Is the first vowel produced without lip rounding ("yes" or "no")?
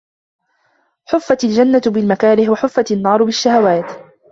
no